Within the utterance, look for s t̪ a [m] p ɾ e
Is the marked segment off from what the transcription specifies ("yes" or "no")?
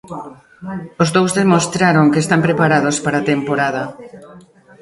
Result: no